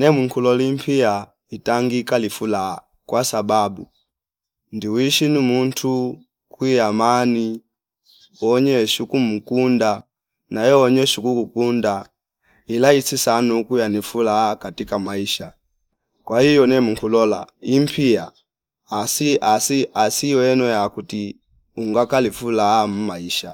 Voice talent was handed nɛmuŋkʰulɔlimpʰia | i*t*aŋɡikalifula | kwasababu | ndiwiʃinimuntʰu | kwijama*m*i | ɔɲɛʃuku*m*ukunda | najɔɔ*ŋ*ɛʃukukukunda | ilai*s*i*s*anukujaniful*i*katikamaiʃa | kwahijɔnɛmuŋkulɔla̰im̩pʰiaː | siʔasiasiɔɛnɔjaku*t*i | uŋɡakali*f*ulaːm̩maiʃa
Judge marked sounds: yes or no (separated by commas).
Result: yes, no, yes, no, yes, yes, no, yes, yes